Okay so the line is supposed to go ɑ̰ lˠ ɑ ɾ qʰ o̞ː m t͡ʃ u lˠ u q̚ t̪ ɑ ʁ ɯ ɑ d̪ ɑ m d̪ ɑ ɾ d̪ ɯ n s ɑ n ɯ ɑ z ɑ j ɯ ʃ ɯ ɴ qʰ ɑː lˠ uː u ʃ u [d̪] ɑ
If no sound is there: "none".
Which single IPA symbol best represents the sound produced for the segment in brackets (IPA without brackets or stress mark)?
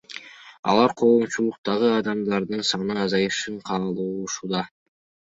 d̪